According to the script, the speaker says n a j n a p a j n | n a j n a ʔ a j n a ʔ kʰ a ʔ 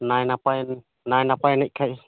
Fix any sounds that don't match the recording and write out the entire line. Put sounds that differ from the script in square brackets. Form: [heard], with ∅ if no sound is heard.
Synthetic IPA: n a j n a p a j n | n a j n a [p] a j n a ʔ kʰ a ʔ